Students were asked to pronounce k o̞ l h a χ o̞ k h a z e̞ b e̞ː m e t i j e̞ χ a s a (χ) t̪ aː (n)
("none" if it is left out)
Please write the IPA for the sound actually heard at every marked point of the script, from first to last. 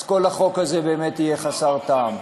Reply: ʁ, m

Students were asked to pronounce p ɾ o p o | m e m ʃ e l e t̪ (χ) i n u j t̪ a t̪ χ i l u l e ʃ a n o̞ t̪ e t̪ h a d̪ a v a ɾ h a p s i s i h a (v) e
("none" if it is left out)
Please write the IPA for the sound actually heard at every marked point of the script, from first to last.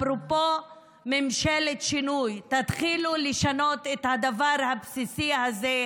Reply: ʃ, z

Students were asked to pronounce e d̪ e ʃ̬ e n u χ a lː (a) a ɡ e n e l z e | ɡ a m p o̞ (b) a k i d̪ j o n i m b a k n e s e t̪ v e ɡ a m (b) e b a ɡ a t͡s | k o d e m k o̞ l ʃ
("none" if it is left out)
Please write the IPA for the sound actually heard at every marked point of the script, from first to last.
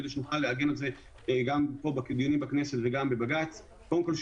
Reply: e, b, b

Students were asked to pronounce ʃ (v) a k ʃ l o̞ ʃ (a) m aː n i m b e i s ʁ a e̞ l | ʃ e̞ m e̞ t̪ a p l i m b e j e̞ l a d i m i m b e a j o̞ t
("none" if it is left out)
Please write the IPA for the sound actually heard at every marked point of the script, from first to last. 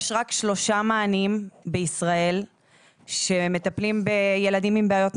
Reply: ʁ, a

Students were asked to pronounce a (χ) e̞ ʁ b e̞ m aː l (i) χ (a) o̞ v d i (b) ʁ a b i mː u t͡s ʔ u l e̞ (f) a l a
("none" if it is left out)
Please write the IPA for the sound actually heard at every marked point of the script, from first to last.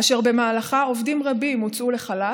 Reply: ʃ, a, a, m, χ

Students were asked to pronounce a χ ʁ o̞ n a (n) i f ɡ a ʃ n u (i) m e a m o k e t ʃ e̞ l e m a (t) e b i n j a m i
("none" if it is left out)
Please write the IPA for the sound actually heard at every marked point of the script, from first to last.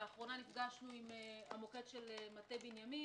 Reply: n, i, t

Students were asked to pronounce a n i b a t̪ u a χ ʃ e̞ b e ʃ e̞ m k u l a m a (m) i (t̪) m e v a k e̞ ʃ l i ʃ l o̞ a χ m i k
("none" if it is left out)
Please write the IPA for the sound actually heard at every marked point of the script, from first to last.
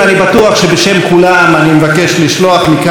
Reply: n, none

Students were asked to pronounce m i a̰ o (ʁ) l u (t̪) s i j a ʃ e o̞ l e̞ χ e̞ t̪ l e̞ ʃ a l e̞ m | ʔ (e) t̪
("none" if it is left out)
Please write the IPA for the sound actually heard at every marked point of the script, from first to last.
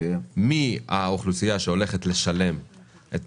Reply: χ, none, e

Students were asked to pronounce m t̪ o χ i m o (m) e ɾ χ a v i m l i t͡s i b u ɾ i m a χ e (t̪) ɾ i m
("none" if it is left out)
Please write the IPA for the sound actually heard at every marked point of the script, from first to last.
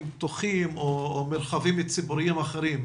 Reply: m, none

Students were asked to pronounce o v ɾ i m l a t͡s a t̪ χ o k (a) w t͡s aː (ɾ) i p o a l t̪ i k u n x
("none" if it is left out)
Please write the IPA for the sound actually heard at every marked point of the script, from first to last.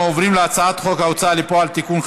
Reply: a, l

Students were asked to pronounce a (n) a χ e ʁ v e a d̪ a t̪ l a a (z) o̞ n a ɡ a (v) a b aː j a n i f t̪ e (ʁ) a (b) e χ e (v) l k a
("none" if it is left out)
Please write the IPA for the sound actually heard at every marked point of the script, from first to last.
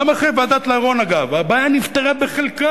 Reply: m, ʁ, v, ʁ, b, none

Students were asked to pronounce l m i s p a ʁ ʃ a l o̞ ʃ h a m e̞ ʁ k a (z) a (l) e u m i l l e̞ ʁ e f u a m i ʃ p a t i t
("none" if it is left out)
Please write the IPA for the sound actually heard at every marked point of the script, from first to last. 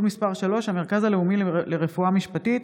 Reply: z, l

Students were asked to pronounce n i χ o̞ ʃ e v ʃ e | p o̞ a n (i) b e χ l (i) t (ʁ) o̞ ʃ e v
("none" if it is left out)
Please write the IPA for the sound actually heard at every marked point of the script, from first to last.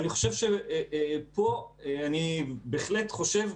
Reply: i, e, χ

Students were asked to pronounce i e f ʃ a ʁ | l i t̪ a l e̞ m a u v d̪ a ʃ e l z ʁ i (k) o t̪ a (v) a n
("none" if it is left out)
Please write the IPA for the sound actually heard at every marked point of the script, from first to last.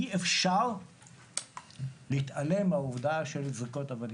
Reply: k, v

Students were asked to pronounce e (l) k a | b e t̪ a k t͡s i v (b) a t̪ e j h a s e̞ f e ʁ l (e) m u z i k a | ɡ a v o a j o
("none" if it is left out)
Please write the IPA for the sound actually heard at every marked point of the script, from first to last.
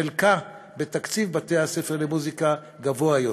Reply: l, b, e

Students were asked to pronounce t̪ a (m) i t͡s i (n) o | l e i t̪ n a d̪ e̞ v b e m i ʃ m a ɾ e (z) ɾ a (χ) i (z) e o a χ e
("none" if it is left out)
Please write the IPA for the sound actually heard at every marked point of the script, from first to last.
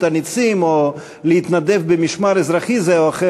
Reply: n, m, z, χ, z

